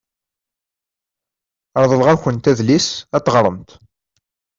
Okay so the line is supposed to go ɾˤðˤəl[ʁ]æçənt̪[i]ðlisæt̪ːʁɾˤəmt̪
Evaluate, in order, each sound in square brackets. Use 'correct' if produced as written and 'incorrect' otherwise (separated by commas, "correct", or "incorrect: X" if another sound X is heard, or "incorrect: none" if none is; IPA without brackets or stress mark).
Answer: correct, incorrect: æ